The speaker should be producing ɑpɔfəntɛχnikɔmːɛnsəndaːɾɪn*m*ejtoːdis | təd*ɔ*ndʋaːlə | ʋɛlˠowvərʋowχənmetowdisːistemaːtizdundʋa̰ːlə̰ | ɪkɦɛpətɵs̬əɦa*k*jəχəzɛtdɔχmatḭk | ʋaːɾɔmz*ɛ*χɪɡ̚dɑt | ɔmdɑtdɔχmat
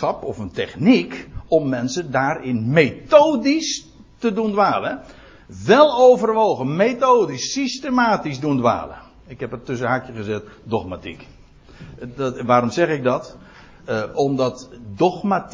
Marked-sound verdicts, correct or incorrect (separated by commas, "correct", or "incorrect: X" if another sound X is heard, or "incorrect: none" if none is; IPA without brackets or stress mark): correct, incorrect: u, correct, correct